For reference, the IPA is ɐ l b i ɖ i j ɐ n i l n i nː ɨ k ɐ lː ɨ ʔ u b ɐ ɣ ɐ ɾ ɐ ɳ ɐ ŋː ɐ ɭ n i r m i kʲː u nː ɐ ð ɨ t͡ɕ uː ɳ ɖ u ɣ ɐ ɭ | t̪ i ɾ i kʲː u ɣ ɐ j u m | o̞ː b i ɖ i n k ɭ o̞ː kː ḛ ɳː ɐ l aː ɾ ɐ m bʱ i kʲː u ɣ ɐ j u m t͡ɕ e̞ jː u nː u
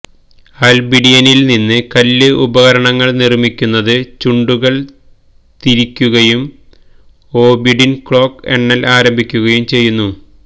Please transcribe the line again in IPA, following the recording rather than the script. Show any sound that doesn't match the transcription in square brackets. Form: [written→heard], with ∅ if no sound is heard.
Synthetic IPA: ɐ l b i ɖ i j ɐ n i l n i nː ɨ k ɐ lː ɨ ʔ u b ɐ ɣ ɐ ɾ ɐ ɳ ɐ ŋː ɐ ɭ n i r m i kʲː u nː ɐ ð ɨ t͡ɕ [uː→u] ɳ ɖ u ɣ ɐ ɭ | t̪ i ɾ i kʲː u ɣ ɐ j u m | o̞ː b i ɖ i n k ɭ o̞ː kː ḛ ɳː ɐ l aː ɾ ɐ m bʱ i kʲː u ɣ ɐ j u m t͡ɕ e̞ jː u nː u